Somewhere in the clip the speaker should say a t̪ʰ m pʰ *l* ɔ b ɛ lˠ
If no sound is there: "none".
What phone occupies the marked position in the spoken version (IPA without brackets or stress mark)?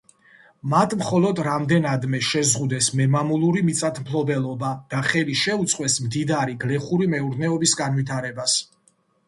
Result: l